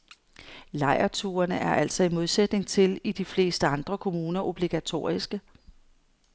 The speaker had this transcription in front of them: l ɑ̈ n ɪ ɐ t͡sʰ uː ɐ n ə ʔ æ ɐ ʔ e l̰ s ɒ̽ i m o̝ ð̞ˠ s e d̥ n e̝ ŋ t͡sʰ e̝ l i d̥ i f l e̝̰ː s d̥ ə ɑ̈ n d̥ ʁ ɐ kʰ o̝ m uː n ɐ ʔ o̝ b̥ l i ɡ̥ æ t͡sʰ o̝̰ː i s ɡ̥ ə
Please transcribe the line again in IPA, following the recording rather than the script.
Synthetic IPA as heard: l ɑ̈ ɪ ɐ t͡sʰ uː ɐ n ə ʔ æ ɐ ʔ æ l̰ s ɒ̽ i m o̝ ð̞ˠ s e d̥ n e̝ ŋ t͡sʰ e̝ l i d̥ i f l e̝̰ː s d̥ ə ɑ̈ n d̥ ʁ ɐ kʰ o̝ m uː n ɐ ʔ o̝ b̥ l i ɡ̥ æ t͡sʰ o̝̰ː i s ɡ̥ ə